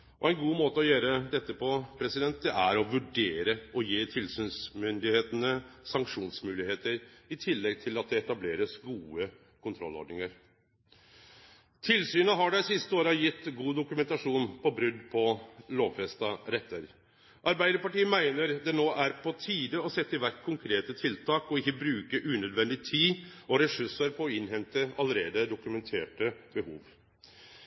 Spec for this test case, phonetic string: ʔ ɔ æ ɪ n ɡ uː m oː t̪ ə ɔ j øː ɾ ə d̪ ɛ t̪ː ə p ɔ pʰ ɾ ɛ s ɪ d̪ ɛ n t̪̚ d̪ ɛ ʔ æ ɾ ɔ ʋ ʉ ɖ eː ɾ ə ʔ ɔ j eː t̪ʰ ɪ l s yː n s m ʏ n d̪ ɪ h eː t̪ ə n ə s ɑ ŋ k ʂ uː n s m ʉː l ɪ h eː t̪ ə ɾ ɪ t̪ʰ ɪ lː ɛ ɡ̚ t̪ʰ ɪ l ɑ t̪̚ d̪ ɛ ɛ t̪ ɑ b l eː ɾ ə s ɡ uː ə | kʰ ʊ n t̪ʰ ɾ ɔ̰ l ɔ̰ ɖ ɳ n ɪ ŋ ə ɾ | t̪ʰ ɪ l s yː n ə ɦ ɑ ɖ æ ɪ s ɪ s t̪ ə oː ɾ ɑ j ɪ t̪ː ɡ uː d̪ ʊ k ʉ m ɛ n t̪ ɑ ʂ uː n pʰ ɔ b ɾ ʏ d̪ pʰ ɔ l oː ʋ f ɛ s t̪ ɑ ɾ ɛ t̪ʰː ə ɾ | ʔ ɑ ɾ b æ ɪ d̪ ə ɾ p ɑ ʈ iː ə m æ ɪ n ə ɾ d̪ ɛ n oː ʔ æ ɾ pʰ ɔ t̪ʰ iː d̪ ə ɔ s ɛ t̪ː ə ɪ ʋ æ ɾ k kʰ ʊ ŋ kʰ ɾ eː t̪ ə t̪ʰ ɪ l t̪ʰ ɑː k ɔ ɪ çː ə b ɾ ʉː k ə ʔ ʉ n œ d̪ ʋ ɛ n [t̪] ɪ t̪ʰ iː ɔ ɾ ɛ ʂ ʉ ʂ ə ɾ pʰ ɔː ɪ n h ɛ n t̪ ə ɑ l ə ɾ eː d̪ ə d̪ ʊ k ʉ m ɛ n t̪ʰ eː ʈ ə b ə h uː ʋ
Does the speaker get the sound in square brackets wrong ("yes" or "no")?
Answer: yes